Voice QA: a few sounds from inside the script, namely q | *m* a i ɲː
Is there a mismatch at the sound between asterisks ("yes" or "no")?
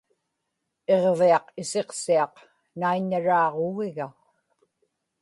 yes